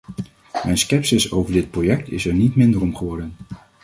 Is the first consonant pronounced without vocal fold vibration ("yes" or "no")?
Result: no